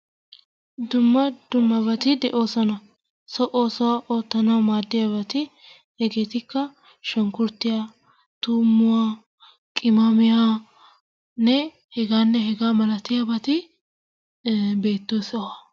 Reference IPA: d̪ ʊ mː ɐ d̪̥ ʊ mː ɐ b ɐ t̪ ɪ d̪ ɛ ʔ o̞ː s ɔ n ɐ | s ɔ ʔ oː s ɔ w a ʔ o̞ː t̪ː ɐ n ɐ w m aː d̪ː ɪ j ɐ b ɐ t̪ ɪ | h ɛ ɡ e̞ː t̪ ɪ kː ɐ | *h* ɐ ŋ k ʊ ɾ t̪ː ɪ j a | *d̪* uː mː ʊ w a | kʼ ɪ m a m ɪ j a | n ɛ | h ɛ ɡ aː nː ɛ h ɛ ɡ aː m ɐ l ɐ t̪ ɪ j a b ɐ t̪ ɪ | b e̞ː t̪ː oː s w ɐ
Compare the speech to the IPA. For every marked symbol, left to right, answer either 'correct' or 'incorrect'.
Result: incorrect: ʃ, incorrect: t̪

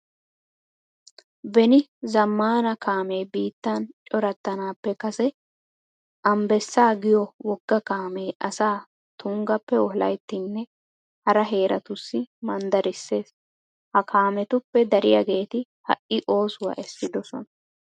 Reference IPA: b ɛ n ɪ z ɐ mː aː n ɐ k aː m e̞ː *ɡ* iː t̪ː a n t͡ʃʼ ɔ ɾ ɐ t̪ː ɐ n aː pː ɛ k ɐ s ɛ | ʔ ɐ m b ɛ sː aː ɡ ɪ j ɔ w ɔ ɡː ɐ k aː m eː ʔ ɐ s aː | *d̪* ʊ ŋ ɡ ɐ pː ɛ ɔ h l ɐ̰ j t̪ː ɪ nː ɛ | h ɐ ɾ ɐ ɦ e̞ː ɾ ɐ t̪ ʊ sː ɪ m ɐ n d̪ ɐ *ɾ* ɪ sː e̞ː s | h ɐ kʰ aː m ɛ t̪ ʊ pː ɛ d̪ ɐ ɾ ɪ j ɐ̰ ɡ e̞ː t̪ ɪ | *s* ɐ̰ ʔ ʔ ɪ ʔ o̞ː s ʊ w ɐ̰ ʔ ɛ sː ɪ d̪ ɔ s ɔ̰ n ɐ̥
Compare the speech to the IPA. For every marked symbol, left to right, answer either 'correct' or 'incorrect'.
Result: incorrect: b, incorrect: t̪, correct, incorrect: h

